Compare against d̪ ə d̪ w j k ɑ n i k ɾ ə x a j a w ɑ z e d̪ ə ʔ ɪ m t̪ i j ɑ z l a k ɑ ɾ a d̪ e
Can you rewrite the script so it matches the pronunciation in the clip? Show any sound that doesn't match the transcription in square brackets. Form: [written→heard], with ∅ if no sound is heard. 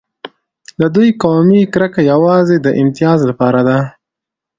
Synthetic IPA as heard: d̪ ə d̪ [w→u] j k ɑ [n→m] i k ɾ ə [x→k] a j a w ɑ z e d̪ ə ʔ ɪ m t̪ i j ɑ z l a [k→p] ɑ ɾ a d̪ [e→a]